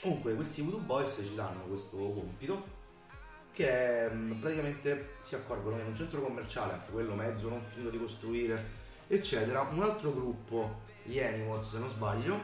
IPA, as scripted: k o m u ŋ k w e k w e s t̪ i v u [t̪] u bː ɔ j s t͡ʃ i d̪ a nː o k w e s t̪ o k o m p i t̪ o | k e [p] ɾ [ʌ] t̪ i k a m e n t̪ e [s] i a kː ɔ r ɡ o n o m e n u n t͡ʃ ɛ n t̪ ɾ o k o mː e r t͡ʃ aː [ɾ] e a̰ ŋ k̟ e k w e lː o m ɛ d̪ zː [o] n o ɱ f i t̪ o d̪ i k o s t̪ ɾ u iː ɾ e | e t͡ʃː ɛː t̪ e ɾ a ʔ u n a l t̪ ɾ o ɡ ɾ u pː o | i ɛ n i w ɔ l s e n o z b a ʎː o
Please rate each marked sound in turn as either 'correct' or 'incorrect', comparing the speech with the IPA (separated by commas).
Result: correct, correct, incorrect, correct, incorrect, correct